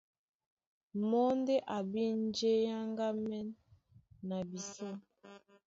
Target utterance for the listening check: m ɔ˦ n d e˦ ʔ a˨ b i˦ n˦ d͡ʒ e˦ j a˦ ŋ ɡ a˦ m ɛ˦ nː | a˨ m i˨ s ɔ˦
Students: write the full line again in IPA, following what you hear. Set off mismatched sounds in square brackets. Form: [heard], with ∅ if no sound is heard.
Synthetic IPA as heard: m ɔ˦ n d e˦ ʔ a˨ b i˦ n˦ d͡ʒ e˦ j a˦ ŋ ɡ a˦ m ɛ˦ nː | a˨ [b] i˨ s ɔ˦